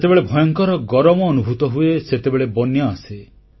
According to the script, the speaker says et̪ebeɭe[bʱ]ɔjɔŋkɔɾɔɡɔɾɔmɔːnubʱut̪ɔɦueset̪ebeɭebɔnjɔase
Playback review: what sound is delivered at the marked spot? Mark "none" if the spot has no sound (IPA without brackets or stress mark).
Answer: bʱ